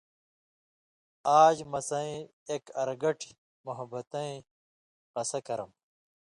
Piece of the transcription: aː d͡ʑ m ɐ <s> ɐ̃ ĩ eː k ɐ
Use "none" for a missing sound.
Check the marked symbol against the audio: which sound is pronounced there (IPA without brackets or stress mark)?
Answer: s